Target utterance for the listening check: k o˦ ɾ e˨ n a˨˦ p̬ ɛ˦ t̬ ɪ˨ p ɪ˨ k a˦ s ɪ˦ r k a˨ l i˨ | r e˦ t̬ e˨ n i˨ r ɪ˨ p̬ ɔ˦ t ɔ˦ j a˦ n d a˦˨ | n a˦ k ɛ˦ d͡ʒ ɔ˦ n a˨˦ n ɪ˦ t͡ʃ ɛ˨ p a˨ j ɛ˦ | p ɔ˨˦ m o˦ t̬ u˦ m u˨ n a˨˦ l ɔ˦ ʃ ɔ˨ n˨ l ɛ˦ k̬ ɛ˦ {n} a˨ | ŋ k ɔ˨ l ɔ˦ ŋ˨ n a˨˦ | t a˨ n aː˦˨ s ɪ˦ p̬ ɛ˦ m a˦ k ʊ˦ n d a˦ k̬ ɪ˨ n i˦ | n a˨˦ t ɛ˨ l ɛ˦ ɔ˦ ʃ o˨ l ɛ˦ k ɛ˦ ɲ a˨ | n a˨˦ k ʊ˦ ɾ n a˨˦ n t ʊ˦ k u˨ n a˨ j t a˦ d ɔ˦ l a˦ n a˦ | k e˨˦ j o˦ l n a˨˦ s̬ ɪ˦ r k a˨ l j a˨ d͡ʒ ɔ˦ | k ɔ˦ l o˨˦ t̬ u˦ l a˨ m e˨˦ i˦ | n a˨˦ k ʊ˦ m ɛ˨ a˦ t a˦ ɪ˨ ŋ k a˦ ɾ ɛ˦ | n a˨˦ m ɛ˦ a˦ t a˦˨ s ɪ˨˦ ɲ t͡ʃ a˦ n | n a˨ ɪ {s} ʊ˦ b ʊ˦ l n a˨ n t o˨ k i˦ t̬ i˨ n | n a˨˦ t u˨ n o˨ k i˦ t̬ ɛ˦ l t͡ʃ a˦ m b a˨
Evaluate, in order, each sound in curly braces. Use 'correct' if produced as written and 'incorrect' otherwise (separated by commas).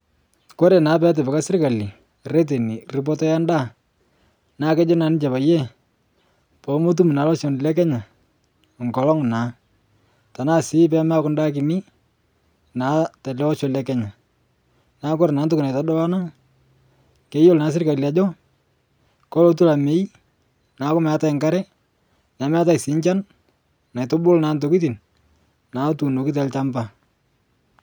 incorrect, incorrect